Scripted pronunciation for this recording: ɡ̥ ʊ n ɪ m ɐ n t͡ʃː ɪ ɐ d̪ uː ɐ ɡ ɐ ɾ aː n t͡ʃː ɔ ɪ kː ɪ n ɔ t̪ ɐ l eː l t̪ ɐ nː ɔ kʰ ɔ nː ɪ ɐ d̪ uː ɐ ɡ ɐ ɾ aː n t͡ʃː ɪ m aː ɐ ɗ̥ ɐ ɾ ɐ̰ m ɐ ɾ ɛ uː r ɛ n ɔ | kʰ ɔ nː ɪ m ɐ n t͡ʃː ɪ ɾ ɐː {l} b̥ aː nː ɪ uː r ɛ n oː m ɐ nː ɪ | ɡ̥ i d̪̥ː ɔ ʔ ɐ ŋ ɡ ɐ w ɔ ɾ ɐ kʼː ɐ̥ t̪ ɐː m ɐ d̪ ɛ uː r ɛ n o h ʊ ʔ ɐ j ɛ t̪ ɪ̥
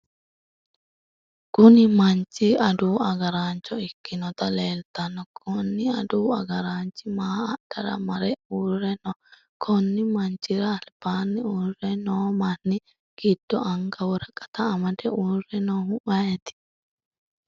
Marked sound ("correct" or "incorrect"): correct